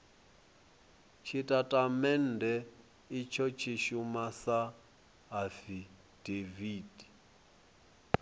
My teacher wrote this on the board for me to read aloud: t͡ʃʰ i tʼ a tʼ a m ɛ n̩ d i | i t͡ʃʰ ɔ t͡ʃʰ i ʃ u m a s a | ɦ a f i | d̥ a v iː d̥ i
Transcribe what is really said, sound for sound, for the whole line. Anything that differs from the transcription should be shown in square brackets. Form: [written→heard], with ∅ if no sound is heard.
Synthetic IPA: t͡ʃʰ i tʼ a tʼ a m ɛ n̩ d [i→ɛ] | i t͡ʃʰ ɔ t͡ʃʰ i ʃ u m a s a | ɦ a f i | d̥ [a→e] v iː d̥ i